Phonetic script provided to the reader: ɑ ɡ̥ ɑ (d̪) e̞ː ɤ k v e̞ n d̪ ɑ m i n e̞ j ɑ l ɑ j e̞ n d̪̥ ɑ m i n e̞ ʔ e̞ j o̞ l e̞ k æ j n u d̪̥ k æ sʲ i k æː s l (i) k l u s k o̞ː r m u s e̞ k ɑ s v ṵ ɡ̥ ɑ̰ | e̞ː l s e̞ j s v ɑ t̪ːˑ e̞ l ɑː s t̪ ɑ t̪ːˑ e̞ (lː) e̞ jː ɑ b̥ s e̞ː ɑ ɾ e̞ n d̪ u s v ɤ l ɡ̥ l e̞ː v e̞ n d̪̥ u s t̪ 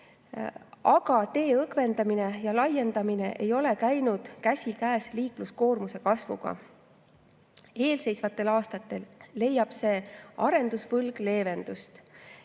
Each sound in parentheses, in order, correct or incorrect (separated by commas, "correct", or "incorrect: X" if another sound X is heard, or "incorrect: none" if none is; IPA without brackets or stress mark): incorrect: t̪, incorrect: iː, correct